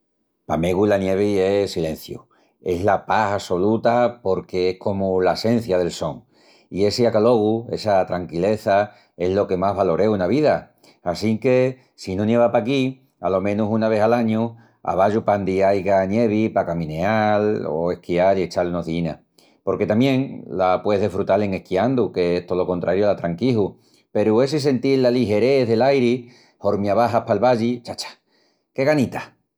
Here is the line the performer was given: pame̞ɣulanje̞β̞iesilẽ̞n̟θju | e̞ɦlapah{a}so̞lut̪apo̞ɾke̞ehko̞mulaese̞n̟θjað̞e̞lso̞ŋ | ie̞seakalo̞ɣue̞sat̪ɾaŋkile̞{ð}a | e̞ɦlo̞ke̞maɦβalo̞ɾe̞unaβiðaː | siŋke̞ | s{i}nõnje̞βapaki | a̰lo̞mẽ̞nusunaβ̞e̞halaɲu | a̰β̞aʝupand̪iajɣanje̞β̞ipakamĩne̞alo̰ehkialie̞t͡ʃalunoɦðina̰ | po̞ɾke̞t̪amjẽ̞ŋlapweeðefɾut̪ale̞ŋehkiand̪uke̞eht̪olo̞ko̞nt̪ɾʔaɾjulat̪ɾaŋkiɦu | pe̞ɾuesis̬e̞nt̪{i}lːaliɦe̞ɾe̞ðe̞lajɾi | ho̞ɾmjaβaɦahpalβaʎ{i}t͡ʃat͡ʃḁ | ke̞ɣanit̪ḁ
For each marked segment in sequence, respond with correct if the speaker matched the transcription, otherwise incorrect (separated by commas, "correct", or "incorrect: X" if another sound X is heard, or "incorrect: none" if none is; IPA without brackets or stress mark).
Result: correct, incorrect: θ, correct, correct, correct